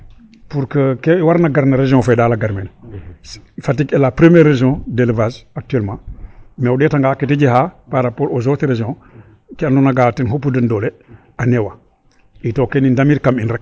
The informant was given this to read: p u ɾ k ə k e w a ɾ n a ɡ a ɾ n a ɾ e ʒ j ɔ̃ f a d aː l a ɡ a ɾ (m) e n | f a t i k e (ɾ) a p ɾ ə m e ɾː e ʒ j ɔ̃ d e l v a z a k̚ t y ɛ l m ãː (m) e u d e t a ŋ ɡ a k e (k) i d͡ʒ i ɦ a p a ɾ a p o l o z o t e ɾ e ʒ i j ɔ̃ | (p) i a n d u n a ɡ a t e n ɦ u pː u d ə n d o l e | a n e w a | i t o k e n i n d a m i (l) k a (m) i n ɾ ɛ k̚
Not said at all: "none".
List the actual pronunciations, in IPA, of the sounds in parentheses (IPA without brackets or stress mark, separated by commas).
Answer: m, l, m, t, k, ɾ, m